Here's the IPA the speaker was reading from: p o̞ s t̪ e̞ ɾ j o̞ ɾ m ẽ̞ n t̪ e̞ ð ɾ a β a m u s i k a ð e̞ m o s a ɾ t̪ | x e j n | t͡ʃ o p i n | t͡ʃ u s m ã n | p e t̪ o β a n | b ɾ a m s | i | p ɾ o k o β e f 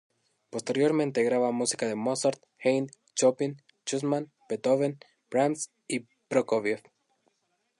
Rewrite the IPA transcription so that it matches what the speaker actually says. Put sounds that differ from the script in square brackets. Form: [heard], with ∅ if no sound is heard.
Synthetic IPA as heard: p o̞ s t̪ e̞ ɾ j o̞ ɾ m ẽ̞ n t̪ e̞ [ɣ] ɾ a β a m u s i k a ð e̞ m o s a ɾ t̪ | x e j n | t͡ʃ o p i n | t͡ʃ u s m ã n | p e t̪ o β [e] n | b ɾ a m s | i | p ɾ o k o β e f